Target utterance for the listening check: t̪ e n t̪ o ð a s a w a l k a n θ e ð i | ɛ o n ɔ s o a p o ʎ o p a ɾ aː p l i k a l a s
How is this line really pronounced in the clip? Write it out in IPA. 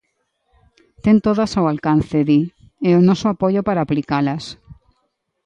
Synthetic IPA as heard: t̪ e n t̪ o ð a s a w a l k a n θ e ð i | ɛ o n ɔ s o a p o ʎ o p a ɾ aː p l i k a l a s